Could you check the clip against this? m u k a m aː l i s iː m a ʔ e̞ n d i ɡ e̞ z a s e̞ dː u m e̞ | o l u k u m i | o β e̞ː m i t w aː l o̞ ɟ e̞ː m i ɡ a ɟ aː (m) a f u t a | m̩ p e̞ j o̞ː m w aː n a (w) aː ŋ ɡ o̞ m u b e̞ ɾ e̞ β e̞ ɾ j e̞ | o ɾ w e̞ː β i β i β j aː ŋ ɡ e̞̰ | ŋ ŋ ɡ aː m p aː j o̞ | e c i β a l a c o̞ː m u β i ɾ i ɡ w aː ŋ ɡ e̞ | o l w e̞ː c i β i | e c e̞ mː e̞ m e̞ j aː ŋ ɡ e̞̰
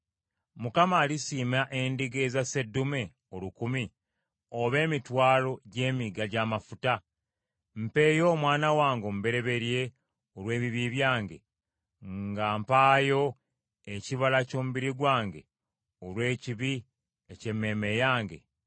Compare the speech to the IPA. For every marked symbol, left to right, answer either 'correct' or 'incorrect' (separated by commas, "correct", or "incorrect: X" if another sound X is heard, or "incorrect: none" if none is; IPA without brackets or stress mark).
correct, correct